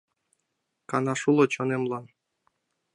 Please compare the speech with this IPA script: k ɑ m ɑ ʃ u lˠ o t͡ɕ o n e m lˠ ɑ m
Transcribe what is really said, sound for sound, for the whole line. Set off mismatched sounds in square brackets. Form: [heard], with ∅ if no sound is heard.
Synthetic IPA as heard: k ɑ [n] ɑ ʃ u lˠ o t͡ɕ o n e m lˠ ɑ [n]